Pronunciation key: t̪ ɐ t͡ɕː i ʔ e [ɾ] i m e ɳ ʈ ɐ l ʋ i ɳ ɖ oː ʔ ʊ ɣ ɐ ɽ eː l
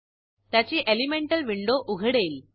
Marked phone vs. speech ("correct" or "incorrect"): incorrect